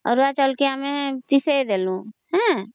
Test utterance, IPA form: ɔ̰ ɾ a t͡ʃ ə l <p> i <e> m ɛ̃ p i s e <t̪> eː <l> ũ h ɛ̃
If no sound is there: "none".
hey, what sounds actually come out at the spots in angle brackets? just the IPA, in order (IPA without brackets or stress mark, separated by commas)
k, a, d̪, l